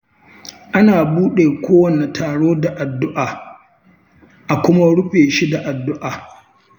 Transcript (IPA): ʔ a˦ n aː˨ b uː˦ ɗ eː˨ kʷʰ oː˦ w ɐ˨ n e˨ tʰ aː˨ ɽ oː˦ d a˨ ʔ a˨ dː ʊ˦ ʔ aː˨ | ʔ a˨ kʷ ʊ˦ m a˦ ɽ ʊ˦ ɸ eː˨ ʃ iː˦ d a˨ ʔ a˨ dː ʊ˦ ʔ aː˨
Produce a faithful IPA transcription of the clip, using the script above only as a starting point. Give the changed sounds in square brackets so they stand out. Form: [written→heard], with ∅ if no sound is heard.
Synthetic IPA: ʔ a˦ n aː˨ b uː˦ ɗ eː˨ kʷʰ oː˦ w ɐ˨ n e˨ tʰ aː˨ ɽ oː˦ d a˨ ʔ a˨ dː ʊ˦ ʔ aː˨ | ʔ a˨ kʷ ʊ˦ m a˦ ɽ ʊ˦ ɸ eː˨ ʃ [iː˦→i˦] d a˨ ʔ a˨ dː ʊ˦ ʔ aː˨